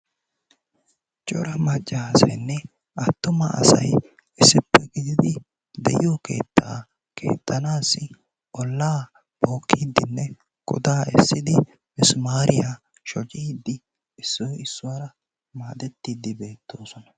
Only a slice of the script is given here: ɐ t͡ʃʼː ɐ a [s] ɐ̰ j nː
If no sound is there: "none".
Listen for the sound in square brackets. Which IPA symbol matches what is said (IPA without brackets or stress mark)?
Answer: s